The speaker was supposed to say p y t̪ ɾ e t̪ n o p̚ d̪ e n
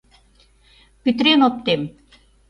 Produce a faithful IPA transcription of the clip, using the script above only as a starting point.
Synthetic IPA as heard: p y t̪ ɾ e n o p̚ t̪ e m